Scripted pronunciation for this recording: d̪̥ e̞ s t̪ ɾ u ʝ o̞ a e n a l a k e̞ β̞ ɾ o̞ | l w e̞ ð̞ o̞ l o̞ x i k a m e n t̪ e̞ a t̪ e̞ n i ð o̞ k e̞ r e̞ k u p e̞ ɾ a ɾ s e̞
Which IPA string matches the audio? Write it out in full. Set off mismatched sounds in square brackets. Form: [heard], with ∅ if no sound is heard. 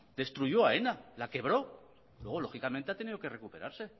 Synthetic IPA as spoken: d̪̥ e̞ s t̪ ɾ u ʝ o̞ a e n a l a k e̞ β̞ ɾ o̞ | l w e̞ [ɣ̞] o̞ l o̞ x i k a m e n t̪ e̞ a t̪ e̞ n i ð o̞ k e̞ r e̞ k u p e̞ ɾ a ɾ s e̞